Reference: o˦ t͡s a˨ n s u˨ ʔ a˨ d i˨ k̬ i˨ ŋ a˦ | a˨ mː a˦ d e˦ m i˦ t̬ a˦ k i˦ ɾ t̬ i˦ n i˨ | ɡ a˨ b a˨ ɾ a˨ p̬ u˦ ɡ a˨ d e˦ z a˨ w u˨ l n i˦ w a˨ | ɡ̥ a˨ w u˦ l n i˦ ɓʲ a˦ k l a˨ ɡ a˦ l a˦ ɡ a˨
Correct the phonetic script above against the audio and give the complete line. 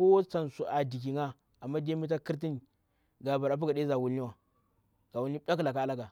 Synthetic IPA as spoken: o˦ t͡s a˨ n s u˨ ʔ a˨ d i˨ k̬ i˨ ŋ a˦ | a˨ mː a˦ d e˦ m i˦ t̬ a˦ k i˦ ɾ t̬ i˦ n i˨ | ɡ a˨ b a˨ ɾ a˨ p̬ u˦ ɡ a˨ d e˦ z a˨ w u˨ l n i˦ w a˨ | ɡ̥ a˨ w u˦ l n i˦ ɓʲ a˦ k l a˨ k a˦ l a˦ ɡ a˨